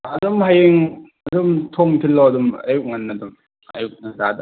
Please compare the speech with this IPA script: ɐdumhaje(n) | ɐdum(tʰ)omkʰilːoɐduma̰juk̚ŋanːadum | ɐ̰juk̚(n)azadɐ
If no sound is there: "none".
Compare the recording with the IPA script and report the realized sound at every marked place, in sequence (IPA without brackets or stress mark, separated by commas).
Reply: ŋ, tʰ, n